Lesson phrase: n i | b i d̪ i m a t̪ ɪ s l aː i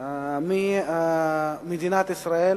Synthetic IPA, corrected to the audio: m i | m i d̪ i n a t̪ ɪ s ɾ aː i